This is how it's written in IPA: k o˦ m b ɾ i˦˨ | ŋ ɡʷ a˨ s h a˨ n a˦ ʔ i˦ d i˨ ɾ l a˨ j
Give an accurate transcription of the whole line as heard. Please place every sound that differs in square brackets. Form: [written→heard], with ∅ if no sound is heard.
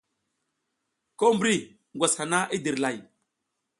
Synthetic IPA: k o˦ m b ɾ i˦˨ | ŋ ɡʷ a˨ s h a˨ n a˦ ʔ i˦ d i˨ ɾ l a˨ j

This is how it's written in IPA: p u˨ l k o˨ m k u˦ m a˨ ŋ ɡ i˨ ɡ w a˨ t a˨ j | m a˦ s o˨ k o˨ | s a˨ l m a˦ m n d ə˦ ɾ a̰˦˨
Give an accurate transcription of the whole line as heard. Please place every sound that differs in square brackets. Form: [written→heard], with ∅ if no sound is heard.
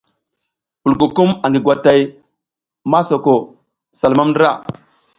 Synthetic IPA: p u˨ l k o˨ [m→∅] k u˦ m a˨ ŋ ɡ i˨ ɡ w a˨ t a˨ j | m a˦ s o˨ k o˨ | s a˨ l m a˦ m n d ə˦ ɾ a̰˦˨

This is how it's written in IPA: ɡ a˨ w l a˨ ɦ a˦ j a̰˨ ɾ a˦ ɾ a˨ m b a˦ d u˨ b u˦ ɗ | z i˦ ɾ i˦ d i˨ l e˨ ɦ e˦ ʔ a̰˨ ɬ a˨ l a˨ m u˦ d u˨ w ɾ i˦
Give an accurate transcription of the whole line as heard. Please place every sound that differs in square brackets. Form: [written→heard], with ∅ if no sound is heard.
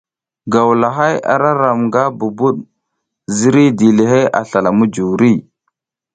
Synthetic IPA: ɡ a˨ w l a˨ ɦ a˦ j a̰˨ ɾ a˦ ɾ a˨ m [b→ɡ] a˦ [d→b] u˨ b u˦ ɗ | z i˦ ɾ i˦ d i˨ l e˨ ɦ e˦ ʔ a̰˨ ɬ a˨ l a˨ m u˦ [d→d͡ʒ] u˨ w ɾ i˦

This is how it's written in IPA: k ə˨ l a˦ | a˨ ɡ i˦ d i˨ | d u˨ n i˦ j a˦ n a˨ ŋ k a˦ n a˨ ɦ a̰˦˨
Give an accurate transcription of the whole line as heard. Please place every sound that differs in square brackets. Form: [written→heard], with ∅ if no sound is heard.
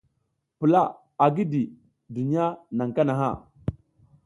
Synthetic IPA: [k→p] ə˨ l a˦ | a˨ ɡ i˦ d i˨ | d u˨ n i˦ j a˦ n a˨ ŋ k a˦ n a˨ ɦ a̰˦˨

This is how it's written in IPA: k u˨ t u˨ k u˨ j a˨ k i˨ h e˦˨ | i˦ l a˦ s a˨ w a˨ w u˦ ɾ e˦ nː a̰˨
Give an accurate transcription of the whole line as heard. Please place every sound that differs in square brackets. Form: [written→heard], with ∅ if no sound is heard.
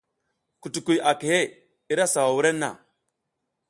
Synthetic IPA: k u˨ t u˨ k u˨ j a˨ k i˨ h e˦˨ | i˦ [l→ɾ] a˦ s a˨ w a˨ w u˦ ɾ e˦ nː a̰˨

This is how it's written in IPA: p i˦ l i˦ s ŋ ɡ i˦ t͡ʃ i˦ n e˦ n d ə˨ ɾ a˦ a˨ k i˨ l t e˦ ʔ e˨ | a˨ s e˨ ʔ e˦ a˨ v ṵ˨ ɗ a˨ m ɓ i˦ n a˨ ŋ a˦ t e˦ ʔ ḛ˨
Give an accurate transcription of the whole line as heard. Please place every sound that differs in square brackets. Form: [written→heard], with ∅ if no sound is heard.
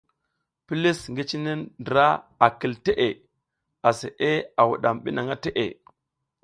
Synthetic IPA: p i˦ l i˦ s ŋ ɡ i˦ t͡ʃ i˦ n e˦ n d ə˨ ɾ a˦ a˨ k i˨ l t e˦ ʔ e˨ | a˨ s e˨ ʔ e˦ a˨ [v→w] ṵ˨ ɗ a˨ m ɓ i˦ n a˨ ŋ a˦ t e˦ ʔ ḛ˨

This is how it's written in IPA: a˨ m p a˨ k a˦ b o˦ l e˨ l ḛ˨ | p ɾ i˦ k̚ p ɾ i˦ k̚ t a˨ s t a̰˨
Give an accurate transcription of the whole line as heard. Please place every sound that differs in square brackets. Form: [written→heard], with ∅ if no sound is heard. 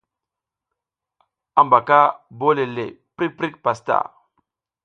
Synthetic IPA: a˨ m [p→b] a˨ k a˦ b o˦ l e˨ l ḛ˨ | p ɾ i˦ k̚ p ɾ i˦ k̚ [t→p] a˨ s t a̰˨

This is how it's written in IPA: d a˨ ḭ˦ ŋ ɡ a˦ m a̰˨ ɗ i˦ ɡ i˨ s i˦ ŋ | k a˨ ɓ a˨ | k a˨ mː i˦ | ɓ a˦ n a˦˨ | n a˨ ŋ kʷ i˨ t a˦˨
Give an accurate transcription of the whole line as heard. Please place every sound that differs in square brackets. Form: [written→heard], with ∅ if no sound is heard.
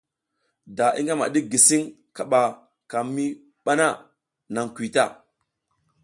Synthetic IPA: d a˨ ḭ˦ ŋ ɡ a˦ m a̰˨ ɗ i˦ ɡ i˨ s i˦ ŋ | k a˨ ɓ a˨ | k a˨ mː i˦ | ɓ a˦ n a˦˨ | n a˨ ŋ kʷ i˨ t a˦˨

